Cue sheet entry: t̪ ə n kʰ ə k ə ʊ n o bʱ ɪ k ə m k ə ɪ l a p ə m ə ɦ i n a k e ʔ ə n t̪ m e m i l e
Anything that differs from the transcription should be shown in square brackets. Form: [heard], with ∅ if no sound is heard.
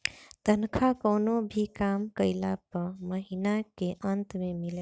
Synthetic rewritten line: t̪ ə n kʰ [a] k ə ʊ n o bʱ [i] k [a] m k ə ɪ l a p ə m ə ɦ i n a k e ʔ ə n t̪ m e m i l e